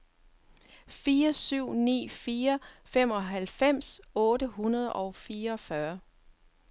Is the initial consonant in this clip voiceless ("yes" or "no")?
yes